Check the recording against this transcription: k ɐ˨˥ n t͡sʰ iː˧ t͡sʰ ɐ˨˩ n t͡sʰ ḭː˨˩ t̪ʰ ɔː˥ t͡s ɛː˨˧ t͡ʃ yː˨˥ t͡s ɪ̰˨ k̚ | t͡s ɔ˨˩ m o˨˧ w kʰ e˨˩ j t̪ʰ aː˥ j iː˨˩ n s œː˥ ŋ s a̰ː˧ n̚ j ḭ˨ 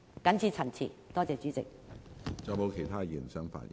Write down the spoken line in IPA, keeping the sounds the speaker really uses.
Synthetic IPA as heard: k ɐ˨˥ n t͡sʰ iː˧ t͡sʰ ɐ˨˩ n t͡sʰ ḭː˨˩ t̪ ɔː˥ t͡s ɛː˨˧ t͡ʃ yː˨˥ t͡s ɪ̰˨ k̚ | t͡s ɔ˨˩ m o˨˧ w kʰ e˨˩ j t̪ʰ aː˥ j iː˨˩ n s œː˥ ŋ f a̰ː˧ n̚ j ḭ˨